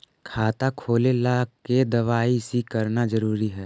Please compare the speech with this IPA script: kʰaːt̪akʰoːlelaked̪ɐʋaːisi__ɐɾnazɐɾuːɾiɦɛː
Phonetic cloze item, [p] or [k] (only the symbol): k